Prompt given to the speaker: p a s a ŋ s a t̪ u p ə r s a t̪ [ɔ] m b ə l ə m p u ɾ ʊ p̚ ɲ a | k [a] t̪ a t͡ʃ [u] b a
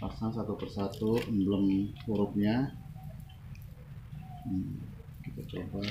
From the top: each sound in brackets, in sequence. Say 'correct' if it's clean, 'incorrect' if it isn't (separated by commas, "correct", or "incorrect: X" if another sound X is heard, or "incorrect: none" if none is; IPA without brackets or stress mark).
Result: incorrect: u, incorrect: i, incorrect: o